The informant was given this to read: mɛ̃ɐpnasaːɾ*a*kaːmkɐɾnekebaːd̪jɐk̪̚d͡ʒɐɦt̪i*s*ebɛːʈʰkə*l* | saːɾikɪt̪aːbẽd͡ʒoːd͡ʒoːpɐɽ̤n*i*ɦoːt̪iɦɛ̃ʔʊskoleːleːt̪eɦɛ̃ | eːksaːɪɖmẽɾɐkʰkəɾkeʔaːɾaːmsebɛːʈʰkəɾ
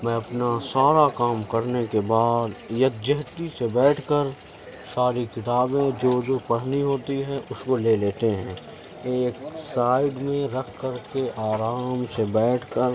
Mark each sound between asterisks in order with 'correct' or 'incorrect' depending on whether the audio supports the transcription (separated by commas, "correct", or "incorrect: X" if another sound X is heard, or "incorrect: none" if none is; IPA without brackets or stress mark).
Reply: correct, correct, incorrect: ɾ, correct